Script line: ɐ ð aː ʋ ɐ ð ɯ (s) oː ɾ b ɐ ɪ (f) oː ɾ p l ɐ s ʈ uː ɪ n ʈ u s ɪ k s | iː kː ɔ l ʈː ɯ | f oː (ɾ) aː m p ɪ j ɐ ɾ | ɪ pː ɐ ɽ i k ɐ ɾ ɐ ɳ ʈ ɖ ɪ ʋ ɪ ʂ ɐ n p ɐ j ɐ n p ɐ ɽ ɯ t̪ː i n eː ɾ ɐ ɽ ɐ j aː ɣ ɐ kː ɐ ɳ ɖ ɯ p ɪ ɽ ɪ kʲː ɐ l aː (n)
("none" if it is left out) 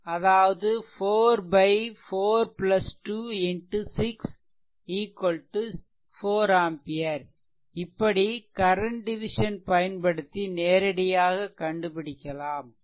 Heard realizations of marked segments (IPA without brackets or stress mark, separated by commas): f, f, ɾ, m